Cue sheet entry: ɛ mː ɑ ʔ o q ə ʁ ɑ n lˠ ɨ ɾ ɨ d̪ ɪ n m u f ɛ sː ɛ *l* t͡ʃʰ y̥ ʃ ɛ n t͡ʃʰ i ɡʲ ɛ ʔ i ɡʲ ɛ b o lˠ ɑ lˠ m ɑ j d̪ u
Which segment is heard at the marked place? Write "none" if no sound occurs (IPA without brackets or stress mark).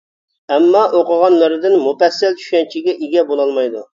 l